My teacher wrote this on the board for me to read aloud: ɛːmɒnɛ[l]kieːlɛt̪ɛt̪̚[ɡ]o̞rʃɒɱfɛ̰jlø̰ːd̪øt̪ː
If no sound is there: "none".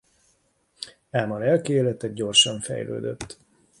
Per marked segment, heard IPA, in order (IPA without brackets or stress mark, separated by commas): l, ɟ